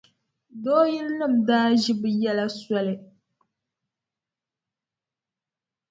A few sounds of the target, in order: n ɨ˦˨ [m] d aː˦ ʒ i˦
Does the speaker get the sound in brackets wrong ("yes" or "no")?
no